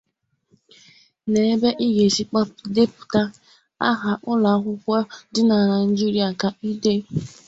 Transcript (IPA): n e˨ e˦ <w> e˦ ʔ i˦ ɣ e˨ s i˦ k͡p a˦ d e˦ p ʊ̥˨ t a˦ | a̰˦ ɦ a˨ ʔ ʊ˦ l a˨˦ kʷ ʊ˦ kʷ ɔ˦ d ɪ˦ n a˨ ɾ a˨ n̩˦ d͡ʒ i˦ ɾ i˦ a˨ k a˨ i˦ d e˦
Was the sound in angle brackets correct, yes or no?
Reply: no